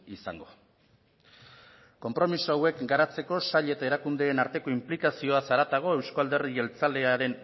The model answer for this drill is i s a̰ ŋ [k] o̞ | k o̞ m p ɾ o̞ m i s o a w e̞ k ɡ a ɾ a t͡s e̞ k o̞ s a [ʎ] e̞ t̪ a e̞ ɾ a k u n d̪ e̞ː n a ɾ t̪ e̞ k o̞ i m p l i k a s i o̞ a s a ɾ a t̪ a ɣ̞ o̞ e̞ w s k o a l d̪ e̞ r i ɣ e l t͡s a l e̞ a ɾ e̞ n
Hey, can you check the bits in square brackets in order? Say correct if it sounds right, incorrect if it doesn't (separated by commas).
incorrect, correct